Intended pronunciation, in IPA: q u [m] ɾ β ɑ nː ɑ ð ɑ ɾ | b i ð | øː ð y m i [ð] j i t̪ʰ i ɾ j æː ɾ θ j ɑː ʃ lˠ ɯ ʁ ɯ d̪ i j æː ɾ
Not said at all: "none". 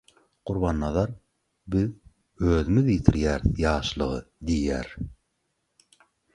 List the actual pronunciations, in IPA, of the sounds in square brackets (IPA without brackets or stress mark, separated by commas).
none, ð